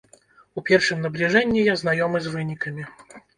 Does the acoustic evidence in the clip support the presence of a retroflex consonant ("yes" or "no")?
yes